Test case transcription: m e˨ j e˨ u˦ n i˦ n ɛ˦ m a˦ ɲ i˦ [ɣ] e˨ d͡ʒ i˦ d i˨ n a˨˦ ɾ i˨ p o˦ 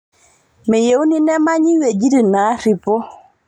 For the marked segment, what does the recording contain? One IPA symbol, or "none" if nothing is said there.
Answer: w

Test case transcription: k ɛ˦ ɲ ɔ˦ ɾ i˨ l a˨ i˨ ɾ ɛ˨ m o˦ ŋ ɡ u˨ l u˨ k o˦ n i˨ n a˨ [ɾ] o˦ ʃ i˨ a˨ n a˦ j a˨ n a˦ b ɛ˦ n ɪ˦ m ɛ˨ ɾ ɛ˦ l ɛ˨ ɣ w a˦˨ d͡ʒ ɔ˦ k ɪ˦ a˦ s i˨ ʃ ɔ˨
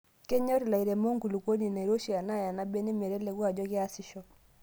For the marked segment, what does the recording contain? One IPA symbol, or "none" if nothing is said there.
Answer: ɾ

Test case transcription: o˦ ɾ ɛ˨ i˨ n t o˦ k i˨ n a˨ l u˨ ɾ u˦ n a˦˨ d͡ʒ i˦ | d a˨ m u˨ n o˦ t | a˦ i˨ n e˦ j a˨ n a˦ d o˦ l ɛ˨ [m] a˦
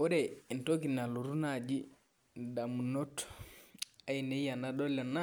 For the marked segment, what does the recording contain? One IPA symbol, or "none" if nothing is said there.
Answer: n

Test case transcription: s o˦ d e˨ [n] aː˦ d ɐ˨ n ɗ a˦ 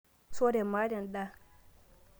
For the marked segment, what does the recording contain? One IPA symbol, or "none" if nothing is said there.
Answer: m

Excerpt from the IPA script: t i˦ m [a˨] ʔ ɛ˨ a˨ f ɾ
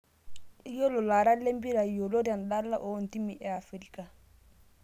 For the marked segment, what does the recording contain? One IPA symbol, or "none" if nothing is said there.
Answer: i˨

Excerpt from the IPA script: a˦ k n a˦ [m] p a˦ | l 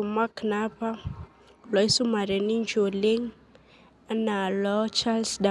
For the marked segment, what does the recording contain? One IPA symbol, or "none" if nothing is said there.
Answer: none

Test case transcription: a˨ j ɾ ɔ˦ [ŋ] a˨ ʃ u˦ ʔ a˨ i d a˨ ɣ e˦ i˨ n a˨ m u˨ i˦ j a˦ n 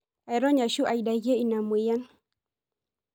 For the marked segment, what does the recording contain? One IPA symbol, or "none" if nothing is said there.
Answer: ɲ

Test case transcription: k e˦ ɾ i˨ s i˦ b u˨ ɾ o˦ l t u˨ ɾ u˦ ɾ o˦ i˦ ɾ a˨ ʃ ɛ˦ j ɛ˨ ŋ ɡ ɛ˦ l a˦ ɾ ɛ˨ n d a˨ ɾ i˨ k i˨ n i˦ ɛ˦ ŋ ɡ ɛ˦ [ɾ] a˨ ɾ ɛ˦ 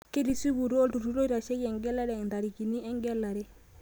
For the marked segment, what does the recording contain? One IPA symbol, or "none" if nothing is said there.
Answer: l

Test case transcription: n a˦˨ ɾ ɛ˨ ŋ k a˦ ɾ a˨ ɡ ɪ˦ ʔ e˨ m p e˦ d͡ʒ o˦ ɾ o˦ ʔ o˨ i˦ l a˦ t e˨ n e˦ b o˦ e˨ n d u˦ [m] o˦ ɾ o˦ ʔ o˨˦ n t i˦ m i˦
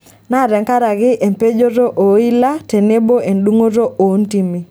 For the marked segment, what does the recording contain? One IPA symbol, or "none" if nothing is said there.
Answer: ŋ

